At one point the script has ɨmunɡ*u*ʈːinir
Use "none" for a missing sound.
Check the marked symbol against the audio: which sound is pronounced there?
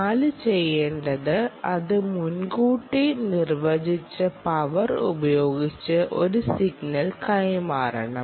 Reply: uː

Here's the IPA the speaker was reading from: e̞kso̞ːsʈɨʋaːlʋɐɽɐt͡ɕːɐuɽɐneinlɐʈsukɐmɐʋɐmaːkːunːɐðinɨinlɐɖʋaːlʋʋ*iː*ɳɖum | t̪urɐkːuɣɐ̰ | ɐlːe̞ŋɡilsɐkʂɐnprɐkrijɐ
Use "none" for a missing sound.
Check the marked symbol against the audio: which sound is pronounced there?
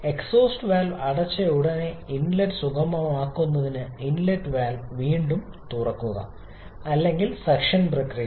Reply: iː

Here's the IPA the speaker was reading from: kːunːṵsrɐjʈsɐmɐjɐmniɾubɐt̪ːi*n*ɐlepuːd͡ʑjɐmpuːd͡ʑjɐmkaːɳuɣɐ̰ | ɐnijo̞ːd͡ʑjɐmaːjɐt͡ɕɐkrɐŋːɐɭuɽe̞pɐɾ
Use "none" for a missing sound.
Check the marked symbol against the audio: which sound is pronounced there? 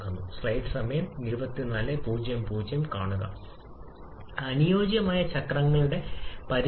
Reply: n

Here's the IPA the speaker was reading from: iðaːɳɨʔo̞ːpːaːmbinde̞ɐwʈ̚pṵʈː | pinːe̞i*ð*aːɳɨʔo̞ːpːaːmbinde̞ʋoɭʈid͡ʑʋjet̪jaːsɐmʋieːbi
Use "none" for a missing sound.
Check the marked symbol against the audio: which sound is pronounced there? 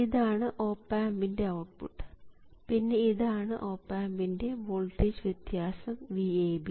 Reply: ð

